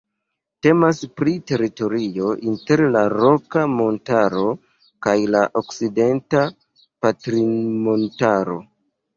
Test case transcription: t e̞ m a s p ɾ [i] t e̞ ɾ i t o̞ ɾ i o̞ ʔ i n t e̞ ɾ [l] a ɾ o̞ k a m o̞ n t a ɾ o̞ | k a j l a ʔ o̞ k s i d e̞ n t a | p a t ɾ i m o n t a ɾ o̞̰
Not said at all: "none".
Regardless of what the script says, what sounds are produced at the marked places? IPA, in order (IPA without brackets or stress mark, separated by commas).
i, l